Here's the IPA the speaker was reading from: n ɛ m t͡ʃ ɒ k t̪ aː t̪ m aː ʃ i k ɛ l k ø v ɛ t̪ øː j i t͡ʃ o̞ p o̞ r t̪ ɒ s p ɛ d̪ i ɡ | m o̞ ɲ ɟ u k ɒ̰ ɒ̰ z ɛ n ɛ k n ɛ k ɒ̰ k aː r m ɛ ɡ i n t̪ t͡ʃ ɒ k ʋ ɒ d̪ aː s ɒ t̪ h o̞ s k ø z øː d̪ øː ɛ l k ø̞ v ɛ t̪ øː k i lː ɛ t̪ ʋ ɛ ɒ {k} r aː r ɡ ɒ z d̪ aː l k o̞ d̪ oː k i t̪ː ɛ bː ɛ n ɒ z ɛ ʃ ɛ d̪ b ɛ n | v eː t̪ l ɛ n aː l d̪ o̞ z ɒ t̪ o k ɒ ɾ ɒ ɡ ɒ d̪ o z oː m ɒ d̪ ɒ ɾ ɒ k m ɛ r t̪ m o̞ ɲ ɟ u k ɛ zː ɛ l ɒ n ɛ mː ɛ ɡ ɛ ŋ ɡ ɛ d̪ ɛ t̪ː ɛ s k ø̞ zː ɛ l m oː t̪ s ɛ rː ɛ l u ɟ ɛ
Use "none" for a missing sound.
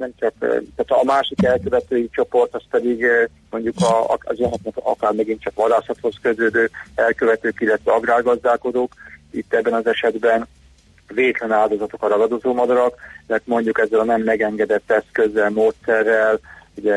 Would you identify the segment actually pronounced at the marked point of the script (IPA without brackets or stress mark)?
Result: ɡ